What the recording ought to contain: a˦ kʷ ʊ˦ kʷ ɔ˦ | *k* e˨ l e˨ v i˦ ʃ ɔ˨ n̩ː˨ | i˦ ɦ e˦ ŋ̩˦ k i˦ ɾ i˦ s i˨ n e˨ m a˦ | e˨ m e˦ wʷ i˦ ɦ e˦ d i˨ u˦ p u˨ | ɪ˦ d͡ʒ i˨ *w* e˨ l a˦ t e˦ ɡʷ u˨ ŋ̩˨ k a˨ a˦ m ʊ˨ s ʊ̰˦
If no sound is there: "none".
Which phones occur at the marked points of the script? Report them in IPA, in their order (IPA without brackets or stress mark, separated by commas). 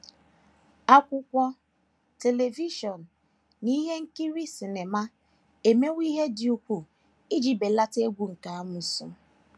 t, b